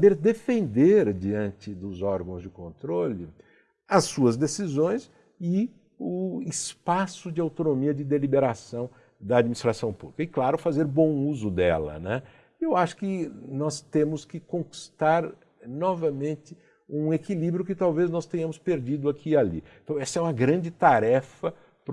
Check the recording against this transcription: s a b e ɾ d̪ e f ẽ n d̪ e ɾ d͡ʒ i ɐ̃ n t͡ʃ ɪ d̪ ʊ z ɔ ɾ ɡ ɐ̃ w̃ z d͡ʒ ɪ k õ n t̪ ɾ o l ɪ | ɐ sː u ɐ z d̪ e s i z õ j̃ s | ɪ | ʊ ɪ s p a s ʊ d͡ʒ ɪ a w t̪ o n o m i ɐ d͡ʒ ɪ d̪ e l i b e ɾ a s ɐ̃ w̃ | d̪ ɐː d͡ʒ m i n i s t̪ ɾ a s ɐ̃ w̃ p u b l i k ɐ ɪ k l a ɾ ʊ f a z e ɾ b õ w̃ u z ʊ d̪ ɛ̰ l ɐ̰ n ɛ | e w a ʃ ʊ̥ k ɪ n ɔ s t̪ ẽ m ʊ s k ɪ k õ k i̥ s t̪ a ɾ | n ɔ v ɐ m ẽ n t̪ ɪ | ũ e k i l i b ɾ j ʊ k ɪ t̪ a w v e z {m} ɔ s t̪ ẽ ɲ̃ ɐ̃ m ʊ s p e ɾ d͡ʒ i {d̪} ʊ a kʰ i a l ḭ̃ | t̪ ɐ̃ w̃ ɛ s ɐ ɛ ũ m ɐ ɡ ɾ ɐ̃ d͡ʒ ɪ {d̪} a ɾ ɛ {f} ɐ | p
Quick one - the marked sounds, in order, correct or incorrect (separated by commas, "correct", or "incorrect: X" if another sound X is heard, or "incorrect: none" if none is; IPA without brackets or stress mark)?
incorrect: n, correct, incorrect: t̪, correct